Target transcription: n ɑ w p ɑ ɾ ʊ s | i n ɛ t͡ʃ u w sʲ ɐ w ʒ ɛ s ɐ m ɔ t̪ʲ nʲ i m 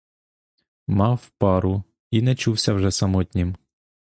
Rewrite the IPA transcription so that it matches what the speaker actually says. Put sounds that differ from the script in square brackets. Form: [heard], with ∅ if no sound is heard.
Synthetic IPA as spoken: [m] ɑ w p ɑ ɾ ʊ [∅] | i n ɛ t͡ʃ u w sʲ ɐ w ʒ ɛ s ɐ m ɔ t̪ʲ nʲ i m